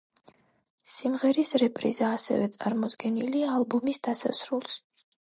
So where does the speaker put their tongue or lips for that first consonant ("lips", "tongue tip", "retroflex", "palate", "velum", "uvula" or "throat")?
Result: tongue tip